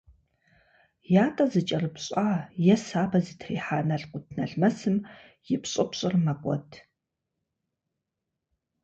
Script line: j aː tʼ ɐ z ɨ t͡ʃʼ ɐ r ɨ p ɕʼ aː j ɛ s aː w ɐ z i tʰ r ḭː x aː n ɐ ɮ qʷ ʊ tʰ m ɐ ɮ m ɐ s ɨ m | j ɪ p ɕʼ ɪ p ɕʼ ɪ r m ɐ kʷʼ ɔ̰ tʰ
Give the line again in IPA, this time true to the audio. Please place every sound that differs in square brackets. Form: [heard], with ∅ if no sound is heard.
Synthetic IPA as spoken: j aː tʼ ɐ z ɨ t͡ʃʼ ɐ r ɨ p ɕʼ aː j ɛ s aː [b] ɐ z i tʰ r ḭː [ħ] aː n ɐ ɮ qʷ ʊ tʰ [n] ɐ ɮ m ɐ s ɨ m | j ɪ p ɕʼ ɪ p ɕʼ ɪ r m ɐ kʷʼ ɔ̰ tʰ

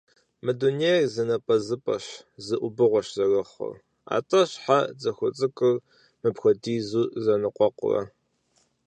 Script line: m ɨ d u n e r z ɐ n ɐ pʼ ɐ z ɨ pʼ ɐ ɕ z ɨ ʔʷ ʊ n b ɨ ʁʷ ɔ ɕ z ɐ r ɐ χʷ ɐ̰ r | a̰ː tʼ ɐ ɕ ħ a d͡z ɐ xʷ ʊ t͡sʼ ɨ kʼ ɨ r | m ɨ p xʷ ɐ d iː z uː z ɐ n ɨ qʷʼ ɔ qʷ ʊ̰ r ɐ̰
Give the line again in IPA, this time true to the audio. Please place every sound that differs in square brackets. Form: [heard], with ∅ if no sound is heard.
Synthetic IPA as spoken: m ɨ d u n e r z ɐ n ɐ pʼ ɐ z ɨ pʼ ɐ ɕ z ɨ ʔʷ ʊ [∅] b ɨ ʁʷ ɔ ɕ z ɐ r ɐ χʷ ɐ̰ r | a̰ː tʼ ɐ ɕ ħ a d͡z ɐ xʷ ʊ t͡sʼ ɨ kʼ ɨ r | m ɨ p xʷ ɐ d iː z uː z ɐ n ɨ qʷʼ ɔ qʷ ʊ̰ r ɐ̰

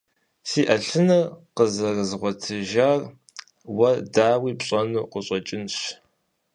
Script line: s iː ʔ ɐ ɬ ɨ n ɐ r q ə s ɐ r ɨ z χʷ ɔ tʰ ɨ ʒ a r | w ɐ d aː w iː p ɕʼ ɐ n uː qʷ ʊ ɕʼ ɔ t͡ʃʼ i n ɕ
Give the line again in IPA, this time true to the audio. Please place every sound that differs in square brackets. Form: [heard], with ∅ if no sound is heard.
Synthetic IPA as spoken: s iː ʔ ɐ ɬ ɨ n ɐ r q ə [z] ɐ r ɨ z [ʁʷ] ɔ tʰ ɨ ʒ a r | w ɐ d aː w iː p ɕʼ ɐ n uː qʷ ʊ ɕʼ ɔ t͡ʃʼ [ɪ] n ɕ

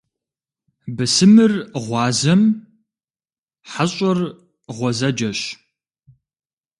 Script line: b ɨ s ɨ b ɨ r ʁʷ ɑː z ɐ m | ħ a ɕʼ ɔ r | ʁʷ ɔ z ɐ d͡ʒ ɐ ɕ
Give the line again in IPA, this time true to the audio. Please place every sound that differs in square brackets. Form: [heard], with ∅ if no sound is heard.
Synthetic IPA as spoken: b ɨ s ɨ [m] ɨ r ʁʷ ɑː z ɐ m | ħ a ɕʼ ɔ r | ʁʷ ɔ z ɐ d͡ʒ ɐ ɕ

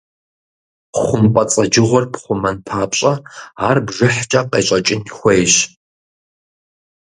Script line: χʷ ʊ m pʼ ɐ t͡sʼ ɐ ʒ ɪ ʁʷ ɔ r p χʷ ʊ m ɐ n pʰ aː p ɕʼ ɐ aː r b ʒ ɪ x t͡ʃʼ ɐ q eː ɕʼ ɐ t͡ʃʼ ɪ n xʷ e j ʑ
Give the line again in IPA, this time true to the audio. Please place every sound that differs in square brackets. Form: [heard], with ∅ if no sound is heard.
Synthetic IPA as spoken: χʷ ʊ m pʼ ɐ t͡sʼ ɐ [d͡ʒ] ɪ ʁʷ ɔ r p χʷ ʊ m ɐ n pʰ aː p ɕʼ ɐ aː r b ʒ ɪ [ħ] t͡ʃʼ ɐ q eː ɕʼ ɐ t͡ʃʼ ɪ n xʷ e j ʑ

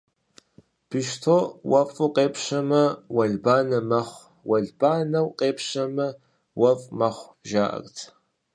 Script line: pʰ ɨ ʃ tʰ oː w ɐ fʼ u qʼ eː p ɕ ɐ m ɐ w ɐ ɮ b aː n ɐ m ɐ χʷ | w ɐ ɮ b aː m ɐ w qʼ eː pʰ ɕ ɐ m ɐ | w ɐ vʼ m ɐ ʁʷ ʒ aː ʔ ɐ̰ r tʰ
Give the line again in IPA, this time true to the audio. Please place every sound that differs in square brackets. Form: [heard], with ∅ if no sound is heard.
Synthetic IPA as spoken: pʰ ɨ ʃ tʰ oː w ɐ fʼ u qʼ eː p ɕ ɐ m ɐ w ɐ ɮ b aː n ɐ m ɐ χʷ | w ɐ ɮ b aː [n] ɐ w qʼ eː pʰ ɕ ɐ m ɐ | w ɐ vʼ m ɐ [χʷ] ʒ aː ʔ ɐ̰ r tʰ

